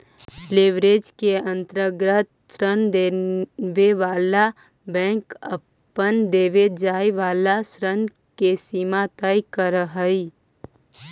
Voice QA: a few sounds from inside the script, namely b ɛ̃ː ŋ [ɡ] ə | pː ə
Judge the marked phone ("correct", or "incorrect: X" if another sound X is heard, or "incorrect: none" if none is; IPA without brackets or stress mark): incorrect: k